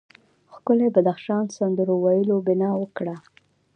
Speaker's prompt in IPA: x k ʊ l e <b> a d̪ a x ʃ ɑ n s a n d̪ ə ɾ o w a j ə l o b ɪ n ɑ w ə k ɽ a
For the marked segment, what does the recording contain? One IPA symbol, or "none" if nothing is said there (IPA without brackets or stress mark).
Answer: b